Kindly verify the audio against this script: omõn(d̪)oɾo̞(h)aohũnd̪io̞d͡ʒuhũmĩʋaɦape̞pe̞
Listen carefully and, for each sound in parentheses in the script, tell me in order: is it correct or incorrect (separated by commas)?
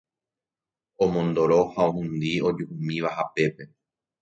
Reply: correct, correct